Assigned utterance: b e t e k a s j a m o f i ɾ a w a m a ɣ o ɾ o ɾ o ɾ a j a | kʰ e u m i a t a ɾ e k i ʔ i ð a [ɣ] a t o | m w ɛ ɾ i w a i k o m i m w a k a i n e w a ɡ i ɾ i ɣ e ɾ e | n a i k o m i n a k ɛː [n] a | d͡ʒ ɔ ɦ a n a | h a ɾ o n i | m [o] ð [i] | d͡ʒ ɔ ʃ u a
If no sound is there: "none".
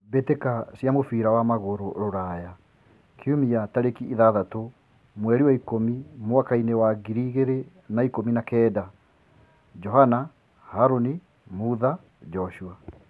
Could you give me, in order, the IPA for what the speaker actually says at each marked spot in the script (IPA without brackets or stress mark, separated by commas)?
ð, d, u, a